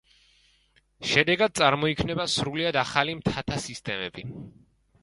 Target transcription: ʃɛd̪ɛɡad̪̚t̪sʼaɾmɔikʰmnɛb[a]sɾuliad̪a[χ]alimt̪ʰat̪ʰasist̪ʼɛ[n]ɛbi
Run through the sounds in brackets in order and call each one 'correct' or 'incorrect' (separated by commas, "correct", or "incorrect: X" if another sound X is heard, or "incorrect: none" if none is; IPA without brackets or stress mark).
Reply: correct, correct, incorrect: m